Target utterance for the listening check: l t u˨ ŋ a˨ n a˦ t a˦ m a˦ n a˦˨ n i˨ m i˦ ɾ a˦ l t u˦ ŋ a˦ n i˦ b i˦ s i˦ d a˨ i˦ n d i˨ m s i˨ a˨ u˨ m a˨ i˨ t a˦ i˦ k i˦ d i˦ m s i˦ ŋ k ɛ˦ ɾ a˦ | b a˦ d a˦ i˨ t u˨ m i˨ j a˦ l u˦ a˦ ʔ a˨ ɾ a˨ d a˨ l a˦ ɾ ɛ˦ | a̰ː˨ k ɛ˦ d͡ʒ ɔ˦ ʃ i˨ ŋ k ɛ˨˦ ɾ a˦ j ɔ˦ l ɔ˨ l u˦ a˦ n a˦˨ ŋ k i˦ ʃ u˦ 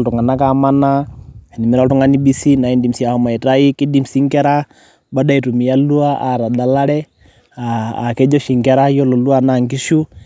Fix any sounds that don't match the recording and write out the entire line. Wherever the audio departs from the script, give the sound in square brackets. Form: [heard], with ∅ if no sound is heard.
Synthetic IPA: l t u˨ ŋ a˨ n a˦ [k] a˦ m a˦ n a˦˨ n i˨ m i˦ ɾ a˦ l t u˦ ŋ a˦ n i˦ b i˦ s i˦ [n] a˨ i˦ n d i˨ m s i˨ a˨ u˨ m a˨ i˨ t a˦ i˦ k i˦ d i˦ m s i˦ ŋ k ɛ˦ ɾ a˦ | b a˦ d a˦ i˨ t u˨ m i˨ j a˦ l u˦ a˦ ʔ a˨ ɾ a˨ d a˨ l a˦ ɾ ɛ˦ | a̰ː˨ k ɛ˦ d͡ʒ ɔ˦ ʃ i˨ ŋ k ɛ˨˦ ɾ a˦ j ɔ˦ l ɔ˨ l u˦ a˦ n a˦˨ ŋ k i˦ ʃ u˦

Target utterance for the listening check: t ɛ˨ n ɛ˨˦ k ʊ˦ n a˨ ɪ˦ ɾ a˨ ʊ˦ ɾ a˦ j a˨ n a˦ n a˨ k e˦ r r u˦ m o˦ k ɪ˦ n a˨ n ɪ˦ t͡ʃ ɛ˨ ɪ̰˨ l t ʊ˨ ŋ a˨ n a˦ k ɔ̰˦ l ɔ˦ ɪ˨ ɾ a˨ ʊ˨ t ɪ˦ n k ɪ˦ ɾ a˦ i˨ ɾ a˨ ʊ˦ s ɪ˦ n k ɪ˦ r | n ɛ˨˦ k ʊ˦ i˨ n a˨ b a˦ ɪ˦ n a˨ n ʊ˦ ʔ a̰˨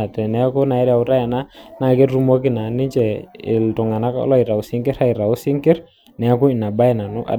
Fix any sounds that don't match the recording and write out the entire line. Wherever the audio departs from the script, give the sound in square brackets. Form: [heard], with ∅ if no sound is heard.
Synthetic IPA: t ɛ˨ n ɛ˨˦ k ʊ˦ n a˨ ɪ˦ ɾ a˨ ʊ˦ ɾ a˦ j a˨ n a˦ n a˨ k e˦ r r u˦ m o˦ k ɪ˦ n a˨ n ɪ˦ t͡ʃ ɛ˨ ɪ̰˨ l t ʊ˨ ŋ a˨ n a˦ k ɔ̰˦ l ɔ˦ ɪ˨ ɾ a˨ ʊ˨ [s] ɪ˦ [ŋ] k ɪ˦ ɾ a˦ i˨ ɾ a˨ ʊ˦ s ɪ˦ [ŋ] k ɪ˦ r | n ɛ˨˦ k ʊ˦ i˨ n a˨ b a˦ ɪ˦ n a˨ n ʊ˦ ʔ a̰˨

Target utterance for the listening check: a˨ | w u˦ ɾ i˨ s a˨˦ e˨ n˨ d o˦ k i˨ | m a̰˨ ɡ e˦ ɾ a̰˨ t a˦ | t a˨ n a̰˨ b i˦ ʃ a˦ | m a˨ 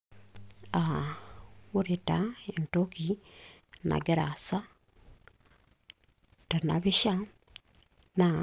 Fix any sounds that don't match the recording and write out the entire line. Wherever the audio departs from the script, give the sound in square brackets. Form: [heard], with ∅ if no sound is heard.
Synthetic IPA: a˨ | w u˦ ɾ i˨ [t] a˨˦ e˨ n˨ [t] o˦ k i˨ | [n] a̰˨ ɡ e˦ ɾ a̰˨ [s] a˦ | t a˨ n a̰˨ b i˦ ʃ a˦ | [n] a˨

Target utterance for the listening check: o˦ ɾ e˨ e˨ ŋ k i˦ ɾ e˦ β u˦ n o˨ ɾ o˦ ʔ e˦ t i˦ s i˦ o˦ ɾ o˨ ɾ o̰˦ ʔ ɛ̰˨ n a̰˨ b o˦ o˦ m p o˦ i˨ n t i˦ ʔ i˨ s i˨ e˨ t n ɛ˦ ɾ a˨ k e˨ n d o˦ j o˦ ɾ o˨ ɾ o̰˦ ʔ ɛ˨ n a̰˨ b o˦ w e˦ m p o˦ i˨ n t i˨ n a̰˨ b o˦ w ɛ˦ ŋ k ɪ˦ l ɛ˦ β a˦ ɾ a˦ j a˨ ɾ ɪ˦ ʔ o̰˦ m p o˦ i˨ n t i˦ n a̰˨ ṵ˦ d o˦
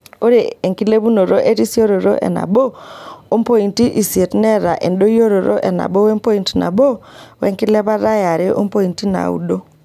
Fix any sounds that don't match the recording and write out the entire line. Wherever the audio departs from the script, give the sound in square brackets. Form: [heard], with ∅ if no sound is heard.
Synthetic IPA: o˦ ɾ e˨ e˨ ŋ k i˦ [l] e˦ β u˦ n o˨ ɾ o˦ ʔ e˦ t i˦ s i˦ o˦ ɾ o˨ ɾ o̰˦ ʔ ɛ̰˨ n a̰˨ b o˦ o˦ m p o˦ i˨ n t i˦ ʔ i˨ s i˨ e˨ t n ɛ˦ ɾ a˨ [ʔ] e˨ n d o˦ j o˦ ɾ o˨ ɾ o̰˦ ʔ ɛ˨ n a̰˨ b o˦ w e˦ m p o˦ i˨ n t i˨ n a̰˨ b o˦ w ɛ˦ ŋ k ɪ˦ l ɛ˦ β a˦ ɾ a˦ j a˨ ɾ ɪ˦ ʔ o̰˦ m p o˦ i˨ n t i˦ n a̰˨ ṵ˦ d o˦

